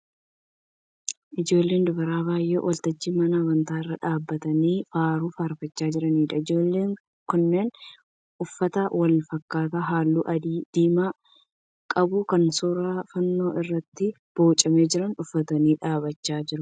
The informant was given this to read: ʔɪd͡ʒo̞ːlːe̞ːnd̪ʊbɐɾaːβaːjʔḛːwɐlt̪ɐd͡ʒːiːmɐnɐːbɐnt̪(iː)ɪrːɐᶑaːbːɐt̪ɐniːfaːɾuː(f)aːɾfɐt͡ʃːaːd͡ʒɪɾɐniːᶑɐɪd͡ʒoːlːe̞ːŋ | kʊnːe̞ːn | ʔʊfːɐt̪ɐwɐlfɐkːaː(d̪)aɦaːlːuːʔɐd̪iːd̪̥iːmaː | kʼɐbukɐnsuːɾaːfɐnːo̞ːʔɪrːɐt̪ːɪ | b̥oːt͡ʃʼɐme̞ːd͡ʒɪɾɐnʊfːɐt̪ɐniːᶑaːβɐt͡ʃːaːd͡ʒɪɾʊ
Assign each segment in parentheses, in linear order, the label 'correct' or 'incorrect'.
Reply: incorrect, correct, incorrect

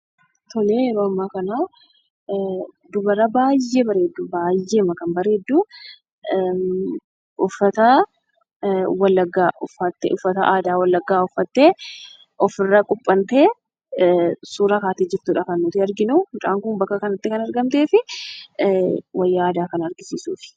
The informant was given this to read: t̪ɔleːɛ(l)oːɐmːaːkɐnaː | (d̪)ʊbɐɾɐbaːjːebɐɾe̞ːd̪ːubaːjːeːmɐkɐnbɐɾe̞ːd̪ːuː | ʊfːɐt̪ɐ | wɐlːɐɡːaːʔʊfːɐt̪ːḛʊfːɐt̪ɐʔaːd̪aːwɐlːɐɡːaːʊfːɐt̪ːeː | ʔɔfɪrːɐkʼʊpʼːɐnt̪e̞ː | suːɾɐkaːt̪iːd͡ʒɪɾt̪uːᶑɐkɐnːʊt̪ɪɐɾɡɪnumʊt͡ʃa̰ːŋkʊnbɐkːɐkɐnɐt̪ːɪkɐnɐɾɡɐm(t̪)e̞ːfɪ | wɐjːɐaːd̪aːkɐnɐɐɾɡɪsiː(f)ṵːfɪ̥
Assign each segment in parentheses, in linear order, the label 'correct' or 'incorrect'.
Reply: incorrect, correct, correct, incorrect

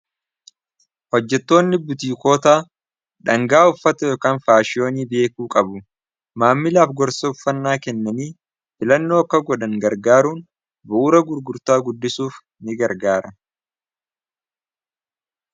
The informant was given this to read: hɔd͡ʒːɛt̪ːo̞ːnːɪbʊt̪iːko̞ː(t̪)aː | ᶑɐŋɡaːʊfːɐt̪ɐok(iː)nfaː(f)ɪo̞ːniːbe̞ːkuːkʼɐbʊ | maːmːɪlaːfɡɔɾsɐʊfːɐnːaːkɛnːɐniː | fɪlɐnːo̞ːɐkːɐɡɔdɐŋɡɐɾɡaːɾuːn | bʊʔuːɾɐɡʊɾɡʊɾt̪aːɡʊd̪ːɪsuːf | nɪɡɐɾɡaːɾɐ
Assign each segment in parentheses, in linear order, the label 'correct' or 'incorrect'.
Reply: correct, incorrect, incorrect

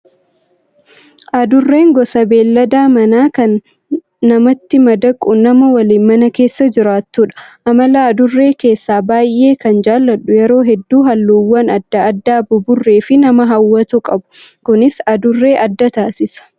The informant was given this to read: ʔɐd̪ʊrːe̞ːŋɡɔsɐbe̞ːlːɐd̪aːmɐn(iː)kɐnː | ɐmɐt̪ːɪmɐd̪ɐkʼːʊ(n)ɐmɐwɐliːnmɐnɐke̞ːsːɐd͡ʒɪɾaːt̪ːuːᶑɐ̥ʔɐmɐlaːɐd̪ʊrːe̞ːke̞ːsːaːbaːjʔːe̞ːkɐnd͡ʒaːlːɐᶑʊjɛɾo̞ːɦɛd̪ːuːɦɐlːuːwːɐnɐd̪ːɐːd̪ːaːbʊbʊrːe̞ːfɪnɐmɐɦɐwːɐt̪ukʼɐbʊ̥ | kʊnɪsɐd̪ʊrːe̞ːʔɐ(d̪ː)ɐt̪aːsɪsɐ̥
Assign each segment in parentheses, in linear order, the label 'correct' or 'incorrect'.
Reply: incorrect, correct, correct

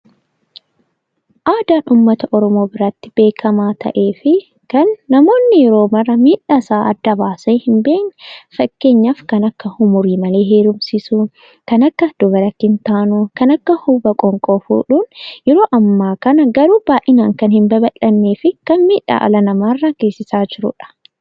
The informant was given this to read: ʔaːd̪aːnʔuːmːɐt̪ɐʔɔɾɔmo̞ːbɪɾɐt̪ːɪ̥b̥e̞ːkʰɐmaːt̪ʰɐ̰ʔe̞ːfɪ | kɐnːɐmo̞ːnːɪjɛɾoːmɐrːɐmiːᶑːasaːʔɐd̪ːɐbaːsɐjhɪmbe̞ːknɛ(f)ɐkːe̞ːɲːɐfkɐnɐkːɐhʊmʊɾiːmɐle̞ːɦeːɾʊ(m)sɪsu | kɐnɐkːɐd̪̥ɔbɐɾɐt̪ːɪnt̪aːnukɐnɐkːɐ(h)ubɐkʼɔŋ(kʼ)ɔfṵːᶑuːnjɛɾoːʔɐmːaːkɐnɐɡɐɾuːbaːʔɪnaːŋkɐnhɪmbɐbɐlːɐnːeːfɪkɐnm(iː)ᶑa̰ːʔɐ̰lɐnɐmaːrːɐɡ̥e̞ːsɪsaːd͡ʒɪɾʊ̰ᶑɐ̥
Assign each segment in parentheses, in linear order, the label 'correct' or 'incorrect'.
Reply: correct, correct, correct, correct, correct

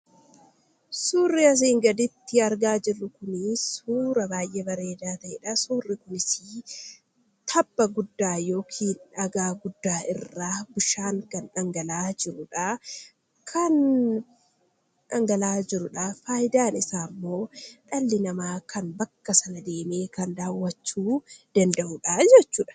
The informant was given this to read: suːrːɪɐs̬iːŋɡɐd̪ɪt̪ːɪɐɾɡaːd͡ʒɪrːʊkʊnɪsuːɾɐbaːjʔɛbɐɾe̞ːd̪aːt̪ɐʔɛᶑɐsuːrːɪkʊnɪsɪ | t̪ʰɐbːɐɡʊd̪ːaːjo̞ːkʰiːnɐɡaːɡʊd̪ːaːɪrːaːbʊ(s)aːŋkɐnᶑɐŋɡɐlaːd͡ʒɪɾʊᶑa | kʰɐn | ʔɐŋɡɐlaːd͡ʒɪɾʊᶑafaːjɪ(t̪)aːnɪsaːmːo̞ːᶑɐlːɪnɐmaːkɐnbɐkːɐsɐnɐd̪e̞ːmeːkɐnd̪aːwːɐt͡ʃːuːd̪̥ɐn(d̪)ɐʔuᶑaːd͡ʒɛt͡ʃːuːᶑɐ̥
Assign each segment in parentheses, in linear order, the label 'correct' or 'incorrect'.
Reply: incorrect, incorrect, correct

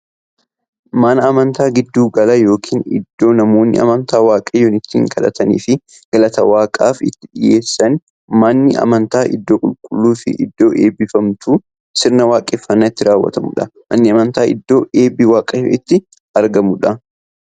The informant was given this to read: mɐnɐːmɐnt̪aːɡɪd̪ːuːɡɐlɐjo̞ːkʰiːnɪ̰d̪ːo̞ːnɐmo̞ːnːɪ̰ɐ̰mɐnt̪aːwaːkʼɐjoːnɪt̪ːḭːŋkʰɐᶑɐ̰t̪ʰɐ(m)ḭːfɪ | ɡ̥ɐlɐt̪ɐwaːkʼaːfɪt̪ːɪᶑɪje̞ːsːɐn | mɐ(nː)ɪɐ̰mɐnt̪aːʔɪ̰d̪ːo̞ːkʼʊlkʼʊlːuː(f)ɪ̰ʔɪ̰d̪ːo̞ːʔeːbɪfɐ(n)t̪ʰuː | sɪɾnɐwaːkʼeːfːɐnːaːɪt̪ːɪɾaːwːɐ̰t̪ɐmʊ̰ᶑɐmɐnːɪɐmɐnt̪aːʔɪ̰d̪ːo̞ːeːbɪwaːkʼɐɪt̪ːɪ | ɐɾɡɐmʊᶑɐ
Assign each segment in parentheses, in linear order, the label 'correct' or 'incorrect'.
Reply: incorrect, correct, correct, incorrect

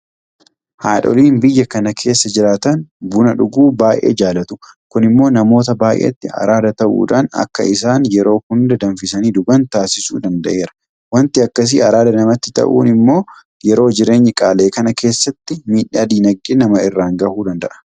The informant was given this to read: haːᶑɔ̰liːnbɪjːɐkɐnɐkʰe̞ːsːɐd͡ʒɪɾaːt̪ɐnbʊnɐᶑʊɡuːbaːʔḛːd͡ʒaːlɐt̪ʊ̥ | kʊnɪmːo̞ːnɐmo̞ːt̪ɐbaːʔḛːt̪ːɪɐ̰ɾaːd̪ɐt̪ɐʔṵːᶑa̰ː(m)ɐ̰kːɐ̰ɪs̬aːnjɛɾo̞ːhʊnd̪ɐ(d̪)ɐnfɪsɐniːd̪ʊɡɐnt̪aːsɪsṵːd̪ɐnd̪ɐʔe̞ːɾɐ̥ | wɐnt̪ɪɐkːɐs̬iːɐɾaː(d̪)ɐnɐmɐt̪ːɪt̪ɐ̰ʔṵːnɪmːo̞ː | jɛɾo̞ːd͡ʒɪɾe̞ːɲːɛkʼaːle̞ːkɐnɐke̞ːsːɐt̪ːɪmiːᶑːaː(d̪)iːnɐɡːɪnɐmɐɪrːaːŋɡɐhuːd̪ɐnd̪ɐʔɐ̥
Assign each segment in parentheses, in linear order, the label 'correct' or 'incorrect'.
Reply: incorrect, correct, correct, correct

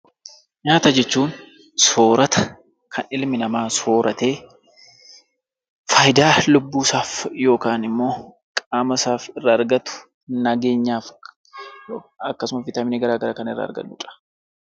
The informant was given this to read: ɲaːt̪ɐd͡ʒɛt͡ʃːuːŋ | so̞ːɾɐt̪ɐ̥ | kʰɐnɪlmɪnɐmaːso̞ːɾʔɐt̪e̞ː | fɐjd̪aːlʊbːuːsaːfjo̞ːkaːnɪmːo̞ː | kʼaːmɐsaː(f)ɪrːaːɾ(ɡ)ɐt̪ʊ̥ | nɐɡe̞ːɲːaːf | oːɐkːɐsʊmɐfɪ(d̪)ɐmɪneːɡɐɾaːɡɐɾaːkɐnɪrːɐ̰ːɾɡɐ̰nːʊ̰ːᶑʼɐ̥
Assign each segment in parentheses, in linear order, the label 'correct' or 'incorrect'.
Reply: correct, correct, incorrect

